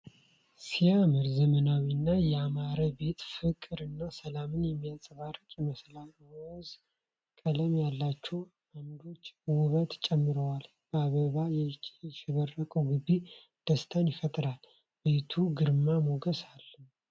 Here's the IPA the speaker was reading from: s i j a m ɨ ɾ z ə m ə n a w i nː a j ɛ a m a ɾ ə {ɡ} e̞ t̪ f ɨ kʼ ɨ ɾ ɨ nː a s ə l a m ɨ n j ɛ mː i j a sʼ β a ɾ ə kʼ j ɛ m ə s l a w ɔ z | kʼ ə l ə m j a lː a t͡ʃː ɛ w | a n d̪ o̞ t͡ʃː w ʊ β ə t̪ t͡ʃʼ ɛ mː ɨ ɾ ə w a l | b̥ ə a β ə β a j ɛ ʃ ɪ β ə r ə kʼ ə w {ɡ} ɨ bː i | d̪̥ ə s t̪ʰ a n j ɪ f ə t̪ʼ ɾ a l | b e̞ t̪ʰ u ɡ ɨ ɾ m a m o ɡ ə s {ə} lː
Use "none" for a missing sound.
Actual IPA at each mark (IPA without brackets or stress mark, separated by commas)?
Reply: b, ɡ, a